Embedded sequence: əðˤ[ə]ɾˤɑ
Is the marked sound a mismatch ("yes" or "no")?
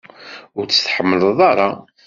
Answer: yes